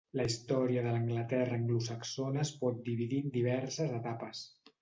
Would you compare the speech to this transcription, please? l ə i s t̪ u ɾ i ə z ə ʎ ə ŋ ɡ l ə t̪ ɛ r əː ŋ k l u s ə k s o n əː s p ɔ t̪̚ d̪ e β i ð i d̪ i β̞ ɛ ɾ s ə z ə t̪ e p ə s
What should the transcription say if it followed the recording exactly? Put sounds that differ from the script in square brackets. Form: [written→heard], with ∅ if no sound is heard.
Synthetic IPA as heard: l ə i s t̪ [u→ɔ] ɾ i ə [z→ð] ə [ʎ→l] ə ŋ ɡ l ə t̪ ɛ r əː ŋ [k→ɡ] l u s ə k s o n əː s p ɔ t̪̚ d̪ [e→i] β i ð i d̪ i β̞ ɛ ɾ s ə z ə t̪ [e→a] p ə s